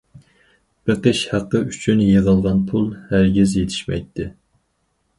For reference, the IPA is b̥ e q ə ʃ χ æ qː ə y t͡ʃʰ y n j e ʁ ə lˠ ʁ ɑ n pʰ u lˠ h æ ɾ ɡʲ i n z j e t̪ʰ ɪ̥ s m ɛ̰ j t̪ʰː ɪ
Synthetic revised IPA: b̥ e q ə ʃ h æ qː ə y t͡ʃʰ y n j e ʁ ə lˠ ʁ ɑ n pʰ u lˠ h æ ɾ ɡʲ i z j e t̪ʰ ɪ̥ ʃ m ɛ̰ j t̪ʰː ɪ